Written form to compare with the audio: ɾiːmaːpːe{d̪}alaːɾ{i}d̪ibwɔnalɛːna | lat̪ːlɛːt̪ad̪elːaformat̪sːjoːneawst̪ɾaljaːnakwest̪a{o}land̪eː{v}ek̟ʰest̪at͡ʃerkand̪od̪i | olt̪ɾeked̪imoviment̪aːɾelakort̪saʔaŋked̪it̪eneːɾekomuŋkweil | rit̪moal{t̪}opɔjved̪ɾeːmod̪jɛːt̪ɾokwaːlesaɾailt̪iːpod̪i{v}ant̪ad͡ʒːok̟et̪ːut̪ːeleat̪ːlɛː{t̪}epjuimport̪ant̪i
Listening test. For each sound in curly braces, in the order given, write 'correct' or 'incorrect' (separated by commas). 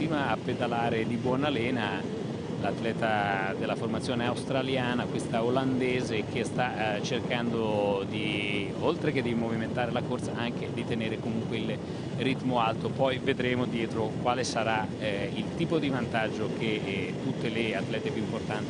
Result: correct, incorrect, correct, incorrect, correct, correct, correct